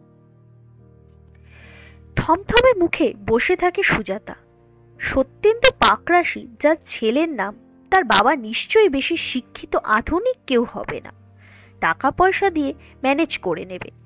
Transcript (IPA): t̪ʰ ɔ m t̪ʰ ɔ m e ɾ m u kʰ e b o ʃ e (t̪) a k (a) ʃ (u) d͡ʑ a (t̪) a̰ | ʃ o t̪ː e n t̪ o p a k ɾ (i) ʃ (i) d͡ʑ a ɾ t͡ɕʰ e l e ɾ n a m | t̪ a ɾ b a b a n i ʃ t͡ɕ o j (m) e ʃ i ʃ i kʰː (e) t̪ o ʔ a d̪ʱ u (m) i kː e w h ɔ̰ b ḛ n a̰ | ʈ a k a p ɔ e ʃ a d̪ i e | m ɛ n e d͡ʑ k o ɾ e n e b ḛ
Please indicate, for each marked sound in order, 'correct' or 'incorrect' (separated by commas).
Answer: incorrect, incorrect, correct, correct, incorrect, correct, incorrect, incorrect, incorrect